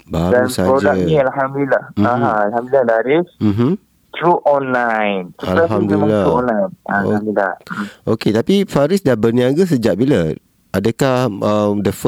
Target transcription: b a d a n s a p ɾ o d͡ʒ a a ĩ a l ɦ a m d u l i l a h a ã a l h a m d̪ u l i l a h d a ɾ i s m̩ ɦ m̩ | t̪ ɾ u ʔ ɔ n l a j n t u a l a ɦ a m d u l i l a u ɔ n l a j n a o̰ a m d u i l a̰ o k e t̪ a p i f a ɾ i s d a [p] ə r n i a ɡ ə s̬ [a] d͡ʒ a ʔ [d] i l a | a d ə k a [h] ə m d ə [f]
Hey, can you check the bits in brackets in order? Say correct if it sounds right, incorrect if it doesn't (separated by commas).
incorrect, incorrect, incorrect, correct, correct